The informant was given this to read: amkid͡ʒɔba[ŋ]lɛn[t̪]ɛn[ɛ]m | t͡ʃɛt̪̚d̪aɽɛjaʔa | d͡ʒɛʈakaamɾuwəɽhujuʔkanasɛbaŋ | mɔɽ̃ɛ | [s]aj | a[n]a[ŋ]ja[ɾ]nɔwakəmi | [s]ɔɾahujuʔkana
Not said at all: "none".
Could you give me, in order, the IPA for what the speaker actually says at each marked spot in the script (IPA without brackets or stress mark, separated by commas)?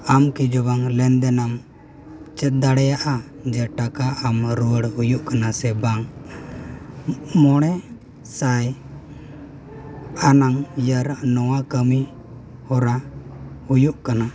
ŋ, d̪, a, s, n, ŋ, ɾ, h